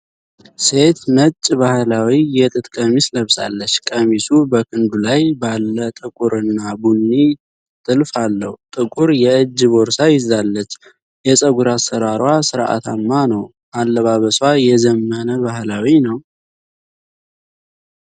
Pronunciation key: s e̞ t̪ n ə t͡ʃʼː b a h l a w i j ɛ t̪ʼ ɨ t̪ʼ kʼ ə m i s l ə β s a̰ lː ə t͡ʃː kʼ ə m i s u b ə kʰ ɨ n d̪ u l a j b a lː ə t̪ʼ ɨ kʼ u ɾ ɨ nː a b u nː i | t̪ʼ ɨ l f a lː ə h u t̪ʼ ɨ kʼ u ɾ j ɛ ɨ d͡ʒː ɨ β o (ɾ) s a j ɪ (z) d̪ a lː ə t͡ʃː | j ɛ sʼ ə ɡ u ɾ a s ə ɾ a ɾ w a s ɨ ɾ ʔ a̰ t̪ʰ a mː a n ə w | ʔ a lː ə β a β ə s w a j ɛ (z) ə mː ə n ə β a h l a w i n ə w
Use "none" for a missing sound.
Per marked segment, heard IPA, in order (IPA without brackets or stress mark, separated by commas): ɾ, z, z